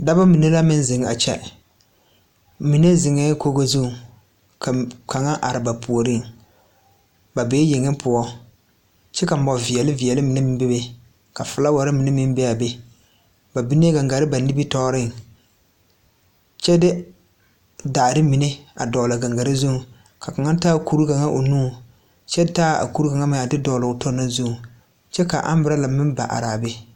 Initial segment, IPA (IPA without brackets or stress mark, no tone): d